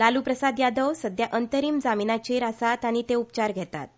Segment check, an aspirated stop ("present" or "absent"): absent